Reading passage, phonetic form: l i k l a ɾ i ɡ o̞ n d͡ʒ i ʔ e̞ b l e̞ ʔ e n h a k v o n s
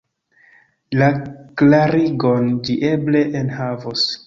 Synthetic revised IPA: l a k l a ɾ i ɡ o̞ n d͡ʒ i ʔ e̞ b l e̞ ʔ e n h a v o s